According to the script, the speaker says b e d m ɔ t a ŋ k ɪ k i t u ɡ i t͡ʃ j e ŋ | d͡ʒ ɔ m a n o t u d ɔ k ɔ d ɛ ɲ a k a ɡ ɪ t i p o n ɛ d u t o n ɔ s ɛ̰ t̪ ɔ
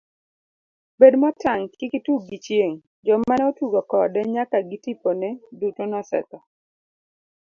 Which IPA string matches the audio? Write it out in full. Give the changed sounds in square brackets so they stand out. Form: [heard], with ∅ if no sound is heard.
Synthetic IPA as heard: b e d m ɔ t a ŋ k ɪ k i t u ɡ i t͡ʃ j e ŋ | d͡ʒ ɔ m a n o t u [ɡ] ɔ k ɔ d ɛ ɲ a k a ɡ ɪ t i p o n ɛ d u t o n ɔ s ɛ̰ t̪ ɔ